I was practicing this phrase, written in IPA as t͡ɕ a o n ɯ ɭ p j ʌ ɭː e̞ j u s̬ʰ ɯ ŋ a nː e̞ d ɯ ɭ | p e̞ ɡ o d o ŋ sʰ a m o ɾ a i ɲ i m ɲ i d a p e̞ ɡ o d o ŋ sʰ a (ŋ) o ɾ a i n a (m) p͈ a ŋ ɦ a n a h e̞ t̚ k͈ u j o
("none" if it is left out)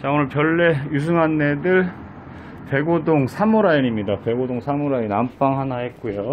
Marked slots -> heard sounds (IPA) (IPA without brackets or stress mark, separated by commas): m, m